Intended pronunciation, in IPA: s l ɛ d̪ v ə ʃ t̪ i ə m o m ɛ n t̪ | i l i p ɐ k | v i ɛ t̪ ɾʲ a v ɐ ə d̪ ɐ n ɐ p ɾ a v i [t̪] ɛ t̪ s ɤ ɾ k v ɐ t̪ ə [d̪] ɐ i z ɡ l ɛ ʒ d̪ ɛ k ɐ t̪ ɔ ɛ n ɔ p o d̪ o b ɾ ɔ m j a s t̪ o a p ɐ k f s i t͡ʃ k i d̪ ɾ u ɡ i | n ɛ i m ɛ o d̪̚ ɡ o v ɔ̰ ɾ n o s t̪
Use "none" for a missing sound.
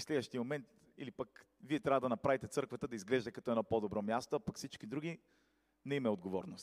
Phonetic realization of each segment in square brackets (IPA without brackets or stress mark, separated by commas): t̪, d̪